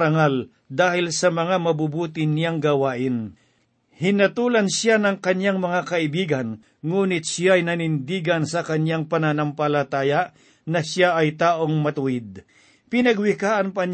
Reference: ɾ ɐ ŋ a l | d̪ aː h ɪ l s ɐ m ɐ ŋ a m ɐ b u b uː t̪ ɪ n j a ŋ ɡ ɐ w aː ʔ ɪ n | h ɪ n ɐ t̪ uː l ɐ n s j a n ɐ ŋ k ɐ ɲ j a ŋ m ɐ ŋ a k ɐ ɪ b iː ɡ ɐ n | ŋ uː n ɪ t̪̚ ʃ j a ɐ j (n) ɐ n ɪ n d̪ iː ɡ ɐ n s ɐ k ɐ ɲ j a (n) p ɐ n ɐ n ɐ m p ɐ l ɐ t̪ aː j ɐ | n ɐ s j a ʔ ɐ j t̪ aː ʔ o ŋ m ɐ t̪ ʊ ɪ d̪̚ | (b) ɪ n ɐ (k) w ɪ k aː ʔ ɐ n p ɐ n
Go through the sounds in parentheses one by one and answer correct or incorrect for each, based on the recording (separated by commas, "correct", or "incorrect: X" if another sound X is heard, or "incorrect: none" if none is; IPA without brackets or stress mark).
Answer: correct, incorrect: ŋ, incorrect: p, incorrect: ɡ